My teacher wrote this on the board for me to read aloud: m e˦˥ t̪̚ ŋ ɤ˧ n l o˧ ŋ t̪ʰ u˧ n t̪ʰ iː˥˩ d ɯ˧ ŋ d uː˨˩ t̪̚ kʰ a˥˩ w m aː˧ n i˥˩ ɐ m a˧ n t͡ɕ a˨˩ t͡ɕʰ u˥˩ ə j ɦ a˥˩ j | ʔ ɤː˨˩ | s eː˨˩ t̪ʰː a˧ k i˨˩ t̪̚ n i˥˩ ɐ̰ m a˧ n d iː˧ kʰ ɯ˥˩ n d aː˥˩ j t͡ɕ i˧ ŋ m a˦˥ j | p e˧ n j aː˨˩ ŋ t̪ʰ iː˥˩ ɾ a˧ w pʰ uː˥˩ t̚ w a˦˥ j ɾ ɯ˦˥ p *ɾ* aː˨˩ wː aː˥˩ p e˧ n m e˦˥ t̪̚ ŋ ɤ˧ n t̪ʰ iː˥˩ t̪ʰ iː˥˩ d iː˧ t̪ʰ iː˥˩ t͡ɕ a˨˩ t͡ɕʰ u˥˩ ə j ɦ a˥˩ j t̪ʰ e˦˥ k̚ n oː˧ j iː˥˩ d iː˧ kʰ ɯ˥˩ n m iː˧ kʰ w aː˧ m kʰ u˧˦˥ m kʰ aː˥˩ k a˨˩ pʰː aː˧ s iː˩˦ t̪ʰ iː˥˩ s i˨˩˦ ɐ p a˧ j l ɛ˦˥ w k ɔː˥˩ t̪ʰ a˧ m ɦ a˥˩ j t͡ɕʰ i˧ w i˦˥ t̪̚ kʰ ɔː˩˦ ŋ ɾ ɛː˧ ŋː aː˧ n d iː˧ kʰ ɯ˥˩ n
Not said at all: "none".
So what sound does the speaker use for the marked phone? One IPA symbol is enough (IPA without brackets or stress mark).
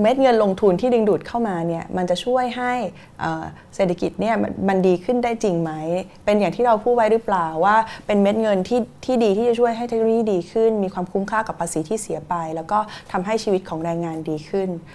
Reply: l